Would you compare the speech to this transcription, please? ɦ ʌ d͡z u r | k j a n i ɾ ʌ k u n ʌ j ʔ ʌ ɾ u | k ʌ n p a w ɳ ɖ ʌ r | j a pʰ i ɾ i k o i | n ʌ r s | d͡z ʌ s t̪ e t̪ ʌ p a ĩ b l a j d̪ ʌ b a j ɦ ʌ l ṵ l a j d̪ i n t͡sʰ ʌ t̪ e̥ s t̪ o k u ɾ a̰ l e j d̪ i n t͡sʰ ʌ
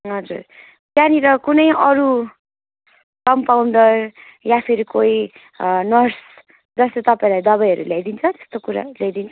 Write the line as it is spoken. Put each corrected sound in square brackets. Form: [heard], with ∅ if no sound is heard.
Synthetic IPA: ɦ ʌ d͡z u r | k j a n i ɾ ʌ k u n ʌ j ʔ ʌ ɾ u | k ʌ [m] p a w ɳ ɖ ʌ r | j a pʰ i ɾ i k o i | n ʌ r s | d͡z ʌ s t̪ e t̪ ʌ p a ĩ [∅] l a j d̪ ʌ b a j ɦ ʌ [ɾ] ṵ l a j d̪ i n t͡sʰ ʌ t̪ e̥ s t̪ o k u ɾ a̰ l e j d̪ i n t͡sʰ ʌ